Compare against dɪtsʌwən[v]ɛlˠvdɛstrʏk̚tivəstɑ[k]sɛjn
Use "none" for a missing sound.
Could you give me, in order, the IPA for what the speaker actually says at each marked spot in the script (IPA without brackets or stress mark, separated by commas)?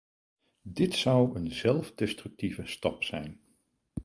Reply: z, p